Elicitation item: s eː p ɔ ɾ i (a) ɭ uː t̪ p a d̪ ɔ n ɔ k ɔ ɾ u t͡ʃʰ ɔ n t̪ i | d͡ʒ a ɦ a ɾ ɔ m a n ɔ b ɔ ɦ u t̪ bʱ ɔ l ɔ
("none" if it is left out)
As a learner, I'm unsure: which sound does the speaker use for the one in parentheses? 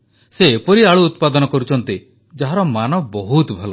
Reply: a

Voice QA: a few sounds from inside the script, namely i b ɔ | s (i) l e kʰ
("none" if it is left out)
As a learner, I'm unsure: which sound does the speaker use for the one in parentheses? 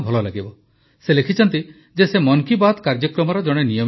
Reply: e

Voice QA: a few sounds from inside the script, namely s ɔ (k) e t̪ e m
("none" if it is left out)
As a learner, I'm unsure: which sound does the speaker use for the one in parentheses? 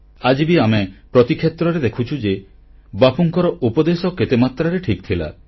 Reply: k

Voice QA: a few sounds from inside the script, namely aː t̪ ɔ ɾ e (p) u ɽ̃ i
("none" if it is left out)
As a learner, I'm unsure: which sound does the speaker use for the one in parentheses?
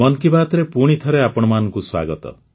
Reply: p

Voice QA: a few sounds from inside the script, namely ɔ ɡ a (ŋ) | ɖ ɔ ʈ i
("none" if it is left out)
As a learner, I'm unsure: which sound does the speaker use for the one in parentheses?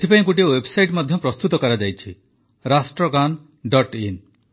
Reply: n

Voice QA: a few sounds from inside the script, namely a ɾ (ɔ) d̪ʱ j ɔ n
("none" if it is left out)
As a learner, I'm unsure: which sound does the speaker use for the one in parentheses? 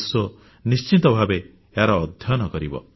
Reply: ɔː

